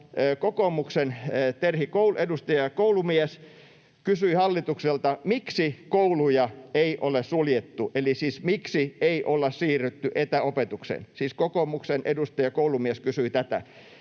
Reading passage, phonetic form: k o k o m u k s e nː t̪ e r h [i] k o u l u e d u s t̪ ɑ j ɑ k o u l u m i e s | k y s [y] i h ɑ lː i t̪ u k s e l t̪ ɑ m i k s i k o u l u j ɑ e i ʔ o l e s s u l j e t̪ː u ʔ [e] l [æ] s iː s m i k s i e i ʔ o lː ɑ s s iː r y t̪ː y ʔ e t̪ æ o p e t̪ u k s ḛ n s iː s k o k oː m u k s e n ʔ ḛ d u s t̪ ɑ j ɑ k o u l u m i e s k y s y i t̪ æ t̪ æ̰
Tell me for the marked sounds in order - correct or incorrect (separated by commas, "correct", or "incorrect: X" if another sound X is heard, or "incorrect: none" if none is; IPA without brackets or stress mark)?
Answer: correct, correct, correct, incorrect: i